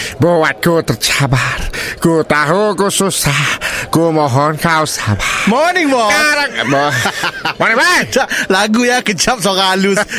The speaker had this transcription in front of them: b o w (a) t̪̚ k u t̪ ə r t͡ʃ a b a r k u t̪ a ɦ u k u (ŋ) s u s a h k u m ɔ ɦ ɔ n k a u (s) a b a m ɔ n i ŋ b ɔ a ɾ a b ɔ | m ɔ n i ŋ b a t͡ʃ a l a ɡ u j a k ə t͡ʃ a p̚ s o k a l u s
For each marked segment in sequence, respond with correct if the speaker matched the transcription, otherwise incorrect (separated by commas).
correct, incorrect, correct